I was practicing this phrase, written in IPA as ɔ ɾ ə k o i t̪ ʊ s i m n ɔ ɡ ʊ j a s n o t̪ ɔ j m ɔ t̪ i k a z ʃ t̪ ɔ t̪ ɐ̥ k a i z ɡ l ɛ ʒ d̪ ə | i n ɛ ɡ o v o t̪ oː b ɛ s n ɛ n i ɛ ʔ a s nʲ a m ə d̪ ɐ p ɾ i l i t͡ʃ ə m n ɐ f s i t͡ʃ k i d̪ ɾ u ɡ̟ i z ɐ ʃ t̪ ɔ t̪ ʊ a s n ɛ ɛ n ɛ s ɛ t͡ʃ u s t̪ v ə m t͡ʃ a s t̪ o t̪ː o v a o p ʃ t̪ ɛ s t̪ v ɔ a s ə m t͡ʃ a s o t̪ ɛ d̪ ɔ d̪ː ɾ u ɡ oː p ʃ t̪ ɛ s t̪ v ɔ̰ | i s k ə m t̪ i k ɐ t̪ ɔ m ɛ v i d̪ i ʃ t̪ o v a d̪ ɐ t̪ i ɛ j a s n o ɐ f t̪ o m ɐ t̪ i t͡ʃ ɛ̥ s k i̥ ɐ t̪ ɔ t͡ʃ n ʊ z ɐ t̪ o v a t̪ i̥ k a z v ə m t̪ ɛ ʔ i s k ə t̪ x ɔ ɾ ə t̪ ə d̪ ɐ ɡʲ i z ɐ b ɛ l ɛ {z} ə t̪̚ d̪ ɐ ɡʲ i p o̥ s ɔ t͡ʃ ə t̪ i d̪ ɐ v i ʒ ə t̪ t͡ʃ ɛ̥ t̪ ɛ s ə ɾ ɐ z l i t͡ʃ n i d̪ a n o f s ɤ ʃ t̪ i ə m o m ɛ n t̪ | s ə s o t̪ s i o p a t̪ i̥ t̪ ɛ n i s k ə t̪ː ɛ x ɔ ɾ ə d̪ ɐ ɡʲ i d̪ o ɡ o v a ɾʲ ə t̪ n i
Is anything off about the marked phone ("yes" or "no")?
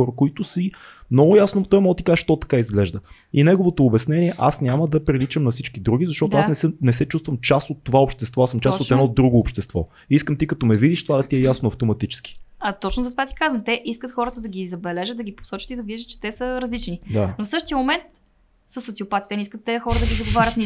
yes